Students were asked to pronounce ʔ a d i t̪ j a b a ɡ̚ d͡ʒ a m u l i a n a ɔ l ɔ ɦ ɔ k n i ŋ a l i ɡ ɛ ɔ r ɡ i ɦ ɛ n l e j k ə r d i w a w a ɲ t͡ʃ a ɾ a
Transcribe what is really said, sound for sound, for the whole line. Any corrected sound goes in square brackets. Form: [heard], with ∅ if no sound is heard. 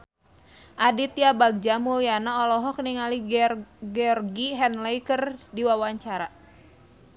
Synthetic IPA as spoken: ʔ a d i t̪ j a b a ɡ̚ d͡ʒ a m u l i a n a ɔ l ɔ ɦ ɔ k n i ŋ a l i ɡ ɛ ɔ r ɡ i ɦ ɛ n l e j k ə r d i w a w a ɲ t͡ʃ a ɾ a